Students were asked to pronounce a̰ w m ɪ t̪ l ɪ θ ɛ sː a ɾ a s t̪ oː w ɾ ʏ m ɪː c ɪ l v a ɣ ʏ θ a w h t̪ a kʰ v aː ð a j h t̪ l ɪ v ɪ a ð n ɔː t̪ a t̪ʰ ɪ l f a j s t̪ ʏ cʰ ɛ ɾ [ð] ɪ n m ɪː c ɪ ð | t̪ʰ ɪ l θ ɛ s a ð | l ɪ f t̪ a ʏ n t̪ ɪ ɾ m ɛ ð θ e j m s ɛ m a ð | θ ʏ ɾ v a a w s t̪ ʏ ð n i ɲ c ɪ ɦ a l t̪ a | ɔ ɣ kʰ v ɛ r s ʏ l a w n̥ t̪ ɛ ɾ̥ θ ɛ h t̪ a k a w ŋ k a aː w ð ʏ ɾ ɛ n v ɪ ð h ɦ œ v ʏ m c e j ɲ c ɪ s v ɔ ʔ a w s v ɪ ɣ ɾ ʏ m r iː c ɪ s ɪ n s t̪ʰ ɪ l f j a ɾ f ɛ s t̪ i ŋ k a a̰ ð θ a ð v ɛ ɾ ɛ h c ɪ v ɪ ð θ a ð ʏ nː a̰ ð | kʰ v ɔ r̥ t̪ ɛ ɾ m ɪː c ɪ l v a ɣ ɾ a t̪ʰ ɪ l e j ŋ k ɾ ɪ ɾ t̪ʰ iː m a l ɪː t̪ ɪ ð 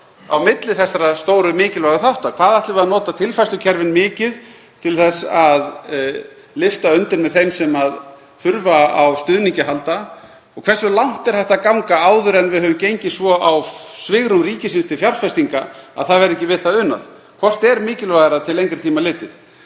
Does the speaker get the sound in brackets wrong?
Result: yes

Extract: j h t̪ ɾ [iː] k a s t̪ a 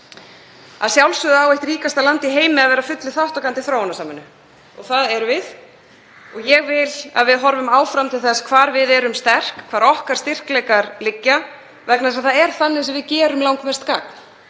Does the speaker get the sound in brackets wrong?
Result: no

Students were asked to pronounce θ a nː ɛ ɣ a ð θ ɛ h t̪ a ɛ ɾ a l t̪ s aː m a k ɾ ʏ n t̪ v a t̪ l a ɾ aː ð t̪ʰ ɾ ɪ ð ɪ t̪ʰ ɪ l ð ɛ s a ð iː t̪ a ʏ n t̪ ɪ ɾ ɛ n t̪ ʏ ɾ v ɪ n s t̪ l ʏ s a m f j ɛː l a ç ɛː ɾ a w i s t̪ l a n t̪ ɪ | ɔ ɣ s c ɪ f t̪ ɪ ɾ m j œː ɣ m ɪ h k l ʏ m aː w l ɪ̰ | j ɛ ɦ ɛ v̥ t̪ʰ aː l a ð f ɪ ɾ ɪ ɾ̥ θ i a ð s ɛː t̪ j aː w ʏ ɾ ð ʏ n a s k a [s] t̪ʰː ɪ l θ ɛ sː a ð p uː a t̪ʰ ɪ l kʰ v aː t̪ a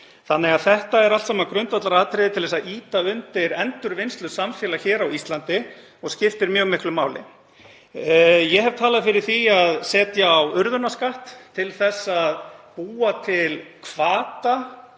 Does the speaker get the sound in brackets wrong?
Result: yes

